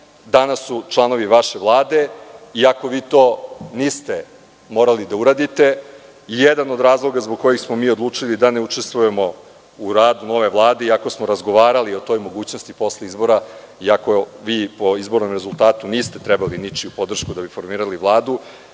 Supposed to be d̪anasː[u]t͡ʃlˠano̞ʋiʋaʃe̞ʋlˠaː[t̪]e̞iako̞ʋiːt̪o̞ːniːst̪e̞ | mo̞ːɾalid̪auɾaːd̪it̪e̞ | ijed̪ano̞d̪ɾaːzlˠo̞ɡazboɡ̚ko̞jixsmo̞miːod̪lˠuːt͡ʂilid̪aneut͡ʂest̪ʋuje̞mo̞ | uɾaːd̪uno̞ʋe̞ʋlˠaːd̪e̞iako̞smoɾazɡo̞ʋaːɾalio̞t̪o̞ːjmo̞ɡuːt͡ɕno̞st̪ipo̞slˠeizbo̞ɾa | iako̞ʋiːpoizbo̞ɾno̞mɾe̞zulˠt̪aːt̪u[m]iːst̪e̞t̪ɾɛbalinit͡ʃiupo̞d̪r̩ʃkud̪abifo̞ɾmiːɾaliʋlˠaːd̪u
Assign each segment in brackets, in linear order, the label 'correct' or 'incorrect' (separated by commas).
correct, incorrect, incorrect